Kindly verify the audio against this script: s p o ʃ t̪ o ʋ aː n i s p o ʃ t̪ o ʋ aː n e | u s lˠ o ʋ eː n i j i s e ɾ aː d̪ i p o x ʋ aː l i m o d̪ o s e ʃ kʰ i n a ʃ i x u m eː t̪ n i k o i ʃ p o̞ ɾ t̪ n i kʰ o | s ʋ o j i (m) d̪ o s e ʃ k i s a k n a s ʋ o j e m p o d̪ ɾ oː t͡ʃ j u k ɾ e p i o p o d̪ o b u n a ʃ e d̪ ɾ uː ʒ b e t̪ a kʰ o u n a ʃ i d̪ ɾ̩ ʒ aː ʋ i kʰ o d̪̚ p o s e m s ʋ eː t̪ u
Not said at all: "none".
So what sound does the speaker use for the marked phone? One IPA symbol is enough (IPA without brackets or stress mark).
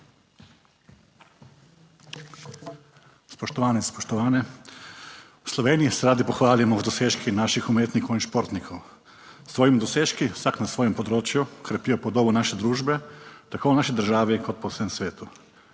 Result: m